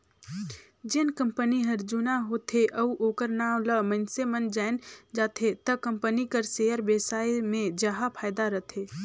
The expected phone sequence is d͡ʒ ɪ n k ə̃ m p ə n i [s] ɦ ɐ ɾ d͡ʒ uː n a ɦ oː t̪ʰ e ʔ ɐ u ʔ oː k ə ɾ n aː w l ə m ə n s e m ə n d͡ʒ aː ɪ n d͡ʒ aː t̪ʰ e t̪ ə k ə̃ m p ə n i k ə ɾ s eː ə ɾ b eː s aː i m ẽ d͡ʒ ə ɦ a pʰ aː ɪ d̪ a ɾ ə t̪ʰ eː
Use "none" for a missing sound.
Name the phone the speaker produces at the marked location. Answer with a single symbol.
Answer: none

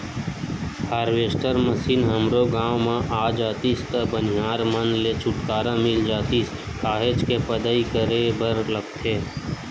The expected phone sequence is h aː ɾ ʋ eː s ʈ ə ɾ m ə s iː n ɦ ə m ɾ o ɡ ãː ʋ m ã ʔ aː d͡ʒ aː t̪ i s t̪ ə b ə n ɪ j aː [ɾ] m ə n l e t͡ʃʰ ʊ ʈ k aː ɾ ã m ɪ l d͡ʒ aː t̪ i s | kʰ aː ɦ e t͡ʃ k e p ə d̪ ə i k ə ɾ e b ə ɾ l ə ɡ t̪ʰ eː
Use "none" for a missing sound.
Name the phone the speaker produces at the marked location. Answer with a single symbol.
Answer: ɾ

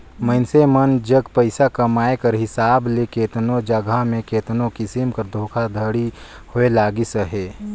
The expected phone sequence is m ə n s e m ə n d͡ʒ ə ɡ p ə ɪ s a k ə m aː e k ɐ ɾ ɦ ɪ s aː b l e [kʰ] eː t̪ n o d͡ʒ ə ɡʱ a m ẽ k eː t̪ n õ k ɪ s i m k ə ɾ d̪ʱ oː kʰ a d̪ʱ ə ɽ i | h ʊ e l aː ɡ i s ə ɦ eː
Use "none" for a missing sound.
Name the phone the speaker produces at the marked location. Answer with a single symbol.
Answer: k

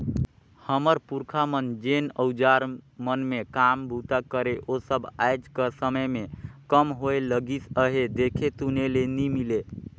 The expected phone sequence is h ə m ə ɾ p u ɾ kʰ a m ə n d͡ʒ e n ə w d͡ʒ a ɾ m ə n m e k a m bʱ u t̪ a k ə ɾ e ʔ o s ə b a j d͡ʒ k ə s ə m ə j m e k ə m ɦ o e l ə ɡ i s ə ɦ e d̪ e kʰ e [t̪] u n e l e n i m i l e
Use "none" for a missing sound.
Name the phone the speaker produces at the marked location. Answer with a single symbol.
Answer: t̪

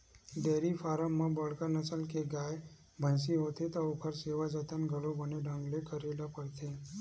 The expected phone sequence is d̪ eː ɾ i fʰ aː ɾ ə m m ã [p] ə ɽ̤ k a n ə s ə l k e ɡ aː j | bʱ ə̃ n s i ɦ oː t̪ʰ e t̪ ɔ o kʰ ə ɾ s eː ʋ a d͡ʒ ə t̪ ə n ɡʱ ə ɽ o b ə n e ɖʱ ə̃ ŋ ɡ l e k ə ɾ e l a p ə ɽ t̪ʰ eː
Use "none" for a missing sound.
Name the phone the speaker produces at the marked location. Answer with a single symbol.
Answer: b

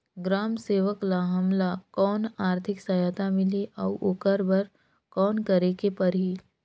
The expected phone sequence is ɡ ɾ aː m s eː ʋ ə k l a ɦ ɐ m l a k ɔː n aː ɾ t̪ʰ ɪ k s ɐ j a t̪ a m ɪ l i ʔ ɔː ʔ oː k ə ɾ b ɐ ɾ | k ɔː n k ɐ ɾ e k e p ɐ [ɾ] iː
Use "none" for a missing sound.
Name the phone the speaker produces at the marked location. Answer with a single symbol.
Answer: ɾ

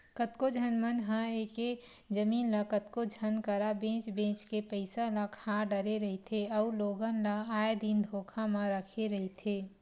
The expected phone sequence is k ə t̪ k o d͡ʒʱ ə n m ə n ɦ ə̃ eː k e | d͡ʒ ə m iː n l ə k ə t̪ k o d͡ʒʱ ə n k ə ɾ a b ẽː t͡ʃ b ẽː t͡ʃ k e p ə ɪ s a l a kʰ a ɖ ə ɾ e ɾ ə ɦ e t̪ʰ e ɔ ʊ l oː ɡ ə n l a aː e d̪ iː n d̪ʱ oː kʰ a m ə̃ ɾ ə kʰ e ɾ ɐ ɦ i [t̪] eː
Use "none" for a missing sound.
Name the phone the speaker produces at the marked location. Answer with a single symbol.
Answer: t̪ʰ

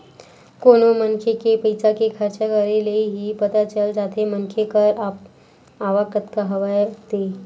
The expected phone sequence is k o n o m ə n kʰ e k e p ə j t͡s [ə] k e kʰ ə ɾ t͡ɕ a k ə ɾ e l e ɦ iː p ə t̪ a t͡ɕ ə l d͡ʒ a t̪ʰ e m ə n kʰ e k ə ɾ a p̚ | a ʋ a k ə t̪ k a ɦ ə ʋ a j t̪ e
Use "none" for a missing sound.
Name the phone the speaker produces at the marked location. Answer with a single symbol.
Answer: a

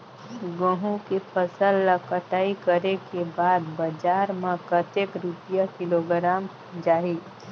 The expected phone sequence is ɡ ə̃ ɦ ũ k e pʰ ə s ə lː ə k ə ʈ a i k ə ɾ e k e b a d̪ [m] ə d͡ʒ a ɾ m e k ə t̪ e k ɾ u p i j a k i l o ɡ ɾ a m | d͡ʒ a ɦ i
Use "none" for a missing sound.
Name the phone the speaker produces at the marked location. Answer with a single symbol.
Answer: b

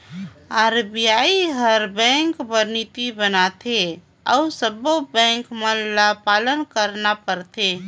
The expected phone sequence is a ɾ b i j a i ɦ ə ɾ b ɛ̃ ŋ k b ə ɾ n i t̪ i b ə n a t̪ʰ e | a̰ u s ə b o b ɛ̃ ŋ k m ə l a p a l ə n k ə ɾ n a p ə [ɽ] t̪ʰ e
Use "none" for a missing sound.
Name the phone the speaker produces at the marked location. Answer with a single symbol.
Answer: ɾ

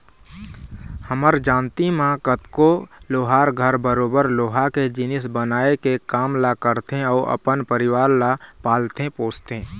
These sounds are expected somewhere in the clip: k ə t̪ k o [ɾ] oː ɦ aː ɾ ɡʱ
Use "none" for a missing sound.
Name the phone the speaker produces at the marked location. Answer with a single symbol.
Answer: l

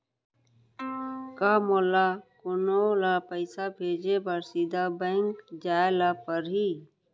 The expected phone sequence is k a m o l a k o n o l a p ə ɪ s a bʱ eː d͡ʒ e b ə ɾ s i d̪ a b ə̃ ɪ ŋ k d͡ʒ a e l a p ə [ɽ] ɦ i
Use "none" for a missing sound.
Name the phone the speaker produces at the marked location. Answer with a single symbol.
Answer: ɾ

